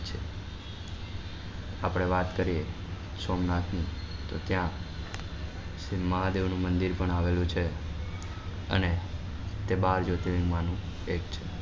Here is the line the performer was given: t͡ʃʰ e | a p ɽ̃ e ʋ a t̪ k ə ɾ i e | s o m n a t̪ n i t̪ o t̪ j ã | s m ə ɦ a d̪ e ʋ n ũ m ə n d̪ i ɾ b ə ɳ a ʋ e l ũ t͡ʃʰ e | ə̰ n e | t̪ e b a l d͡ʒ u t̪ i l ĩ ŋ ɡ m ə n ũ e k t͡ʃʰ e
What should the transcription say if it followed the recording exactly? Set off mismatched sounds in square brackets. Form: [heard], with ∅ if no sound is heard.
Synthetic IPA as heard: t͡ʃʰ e | a p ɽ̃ e ʋ a t̪ k ə ɾ i e | s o m n a t̪ n i t̪ o t̪ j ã | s m ə ɦ a d̪ e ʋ n ũ m ə n d̪ i ɾ [p] ə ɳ a ʋ e l ũ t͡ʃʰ e | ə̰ n e | t̪ e b a [ɾ] d͡ʒ [o] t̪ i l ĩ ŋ ɡ m [a] n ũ e k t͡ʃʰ e